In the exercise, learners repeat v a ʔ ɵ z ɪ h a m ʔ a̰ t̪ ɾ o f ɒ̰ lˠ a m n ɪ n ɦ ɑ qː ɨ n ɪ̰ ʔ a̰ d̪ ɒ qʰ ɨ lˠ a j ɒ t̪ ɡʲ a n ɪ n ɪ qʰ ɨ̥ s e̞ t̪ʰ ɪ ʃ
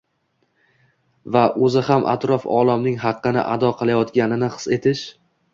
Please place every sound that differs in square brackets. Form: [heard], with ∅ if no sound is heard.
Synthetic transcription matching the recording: v a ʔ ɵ z ɪ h a m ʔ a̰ t̪ ɾ [ɒ] f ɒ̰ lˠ a m n ɪ [ŋ] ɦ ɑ qː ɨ n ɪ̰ ʔ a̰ d̪ ɒ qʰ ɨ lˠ a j ɒ t̪ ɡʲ a n ɪ n ɪ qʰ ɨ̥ s e̞ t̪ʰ ɪ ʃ